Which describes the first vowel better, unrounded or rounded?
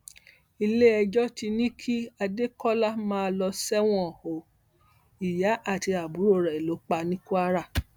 unrounded